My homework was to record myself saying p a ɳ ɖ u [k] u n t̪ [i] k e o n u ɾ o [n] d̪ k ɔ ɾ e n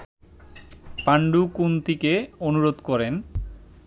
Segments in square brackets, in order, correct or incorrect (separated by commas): correct, correct, incorrect